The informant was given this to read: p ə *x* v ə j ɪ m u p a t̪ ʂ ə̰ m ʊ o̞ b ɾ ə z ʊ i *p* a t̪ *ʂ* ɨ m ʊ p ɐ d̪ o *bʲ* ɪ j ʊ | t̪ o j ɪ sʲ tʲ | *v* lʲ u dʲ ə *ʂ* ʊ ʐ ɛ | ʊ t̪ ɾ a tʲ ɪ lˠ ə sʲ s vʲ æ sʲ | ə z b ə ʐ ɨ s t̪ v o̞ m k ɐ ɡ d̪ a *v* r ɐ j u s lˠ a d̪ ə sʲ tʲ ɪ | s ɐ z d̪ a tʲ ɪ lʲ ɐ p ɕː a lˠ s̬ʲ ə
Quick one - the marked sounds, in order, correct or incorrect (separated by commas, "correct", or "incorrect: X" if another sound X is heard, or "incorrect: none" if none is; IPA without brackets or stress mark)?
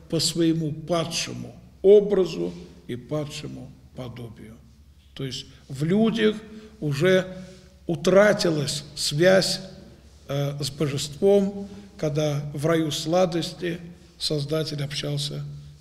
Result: incorrect: s, correct, correct, correct, correct, incorrect: x, correct